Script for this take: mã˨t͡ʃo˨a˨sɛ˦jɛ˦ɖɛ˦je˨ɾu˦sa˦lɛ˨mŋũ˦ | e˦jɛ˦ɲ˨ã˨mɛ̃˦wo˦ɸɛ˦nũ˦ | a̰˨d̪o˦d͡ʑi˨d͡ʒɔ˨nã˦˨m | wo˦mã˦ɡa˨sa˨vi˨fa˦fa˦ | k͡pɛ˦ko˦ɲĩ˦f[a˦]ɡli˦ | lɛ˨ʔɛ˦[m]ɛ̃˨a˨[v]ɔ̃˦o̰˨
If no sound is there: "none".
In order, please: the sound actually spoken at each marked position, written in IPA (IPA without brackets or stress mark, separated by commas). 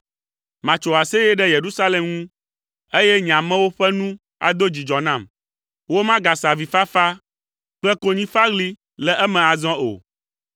a˦, m, z